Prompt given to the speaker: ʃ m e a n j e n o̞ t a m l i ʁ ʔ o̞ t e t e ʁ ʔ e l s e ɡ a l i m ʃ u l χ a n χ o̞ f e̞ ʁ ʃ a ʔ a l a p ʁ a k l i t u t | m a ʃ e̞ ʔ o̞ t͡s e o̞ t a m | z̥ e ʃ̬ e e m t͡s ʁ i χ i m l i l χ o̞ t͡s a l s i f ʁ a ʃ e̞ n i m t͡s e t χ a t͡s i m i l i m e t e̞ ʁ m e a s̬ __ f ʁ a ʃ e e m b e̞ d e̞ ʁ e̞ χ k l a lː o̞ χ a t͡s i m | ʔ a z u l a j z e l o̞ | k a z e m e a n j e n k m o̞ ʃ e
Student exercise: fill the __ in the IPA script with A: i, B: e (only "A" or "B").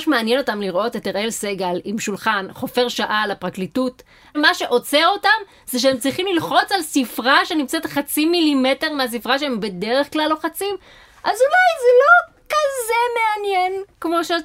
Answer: A